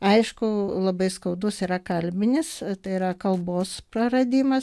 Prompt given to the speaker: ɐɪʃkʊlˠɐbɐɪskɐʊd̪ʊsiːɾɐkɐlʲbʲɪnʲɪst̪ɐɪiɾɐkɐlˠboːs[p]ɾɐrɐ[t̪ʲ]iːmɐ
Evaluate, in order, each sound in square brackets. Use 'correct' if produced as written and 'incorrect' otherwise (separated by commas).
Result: correct, incorrect